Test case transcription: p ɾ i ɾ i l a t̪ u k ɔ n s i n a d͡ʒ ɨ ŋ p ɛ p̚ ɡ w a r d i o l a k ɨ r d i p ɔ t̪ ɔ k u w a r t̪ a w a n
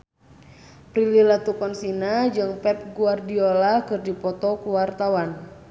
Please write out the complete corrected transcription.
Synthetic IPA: p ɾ i l i l a t̪ u k ɔ n s i n a d͡ʒ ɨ ŋ p ɛ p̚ ɡ u a r d i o l a k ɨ r d i p ɔ t̪ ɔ k u w a r t̪ a w a n